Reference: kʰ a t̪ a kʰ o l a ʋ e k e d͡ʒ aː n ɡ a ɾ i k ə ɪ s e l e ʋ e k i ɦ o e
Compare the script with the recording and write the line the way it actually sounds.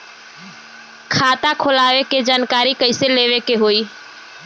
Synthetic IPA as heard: kʰ a t̪ a kʰ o l a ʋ e k e d͡ʒ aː n k a ɾ i k ə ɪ s e l e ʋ e k e ɦ o i